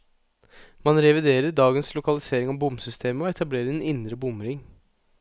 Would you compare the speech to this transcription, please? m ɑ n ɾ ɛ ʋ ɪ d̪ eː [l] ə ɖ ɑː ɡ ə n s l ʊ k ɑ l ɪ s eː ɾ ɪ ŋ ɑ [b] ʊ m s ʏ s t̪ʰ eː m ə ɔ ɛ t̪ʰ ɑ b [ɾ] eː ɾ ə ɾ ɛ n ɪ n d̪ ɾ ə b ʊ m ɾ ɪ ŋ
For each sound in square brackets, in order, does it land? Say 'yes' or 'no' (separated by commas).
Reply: no, yes, no